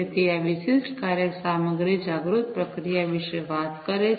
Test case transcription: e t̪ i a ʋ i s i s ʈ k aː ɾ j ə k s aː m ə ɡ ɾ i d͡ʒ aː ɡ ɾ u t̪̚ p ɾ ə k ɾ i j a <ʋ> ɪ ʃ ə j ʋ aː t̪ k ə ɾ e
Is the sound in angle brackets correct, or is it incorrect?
correct